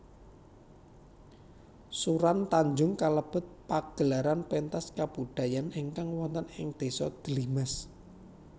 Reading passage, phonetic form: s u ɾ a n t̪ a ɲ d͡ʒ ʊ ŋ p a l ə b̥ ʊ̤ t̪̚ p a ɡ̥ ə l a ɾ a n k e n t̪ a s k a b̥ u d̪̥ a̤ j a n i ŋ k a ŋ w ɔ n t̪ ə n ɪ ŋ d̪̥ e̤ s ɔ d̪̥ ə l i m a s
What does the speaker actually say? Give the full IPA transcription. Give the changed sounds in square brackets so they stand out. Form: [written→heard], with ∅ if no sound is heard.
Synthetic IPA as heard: s u ɾ a n t̪ a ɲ d͡ʒ ʊ ŋ [p→k] a l ə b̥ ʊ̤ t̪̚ p a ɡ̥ ə l a ɾ a n [k→p] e n t̪ a s k a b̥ u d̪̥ a̤ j a n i ŋ k a ŋ w ɔ n t̪ ə n ɪ ŋ d̪̥ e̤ s ɔ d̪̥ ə l i m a s